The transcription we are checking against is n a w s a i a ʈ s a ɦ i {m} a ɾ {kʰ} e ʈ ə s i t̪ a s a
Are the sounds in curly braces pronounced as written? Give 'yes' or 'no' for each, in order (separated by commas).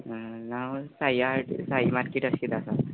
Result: yes, no